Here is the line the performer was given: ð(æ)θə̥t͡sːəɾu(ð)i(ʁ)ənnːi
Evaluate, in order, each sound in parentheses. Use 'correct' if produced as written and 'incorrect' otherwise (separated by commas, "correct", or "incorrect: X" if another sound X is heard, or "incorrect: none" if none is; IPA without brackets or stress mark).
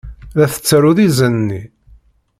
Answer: correct, correct, incorrect: z